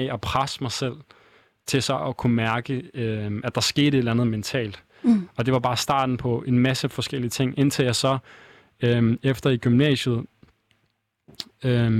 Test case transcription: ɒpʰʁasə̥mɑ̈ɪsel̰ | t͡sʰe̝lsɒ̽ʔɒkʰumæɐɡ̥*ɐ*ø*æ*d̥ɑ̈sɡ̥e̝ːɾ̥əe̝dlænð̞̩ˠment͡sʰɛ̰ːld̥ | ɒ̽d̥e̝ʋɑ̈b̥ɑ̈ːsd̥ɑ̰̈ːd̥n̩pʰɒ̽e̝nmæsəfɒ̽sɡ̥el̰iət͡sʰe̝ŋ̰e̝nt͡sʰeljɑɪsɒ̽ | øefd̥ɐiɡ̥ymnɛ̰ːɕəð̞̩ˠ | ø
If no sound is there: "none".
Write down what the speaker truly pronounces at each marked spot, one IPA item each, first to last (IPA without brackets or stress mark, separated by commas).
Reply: ə, æ